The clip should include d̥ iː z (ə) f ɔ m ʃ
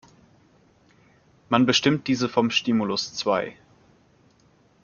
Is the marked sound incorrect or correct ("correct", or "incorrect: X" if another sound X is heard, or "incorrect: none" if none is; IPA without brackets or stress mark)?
correct